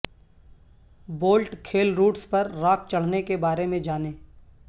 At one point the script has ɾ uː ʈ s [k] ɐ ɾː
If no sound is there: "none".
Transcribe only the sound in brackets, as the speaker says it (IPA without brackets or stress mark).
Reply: p